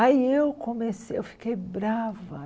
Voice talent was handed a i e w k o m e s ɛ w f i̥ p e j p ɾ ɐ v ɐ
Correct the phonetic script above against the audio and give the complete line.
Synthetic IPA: a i e w k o m e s e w f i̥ k e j b ɾ a v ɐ